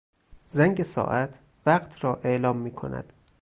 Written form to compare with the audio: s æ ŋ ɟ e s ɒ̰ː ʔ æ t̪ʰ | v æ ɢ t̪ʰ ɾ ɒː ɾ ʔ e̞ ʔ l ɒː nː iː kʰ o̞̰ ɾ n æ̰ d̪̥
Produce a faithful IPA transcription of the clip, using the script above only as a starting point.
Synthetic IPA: z æ ŋ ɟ e s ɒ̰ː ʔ æ t̪ʰ | v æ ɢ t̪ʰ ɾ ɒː ʔ e̞ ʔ l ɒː mː iː kʰ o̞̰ n æ̰ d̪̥